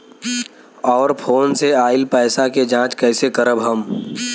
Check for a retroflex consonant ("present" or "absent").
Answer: absent